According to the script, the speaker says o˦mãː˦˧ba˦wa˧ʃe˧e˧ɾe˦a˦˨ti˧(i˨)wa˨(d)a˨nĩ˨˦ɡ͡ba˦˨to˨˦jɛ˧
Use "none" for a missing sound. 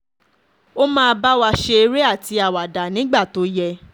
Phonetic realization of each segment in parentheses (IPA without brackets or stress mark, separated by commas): a˨, d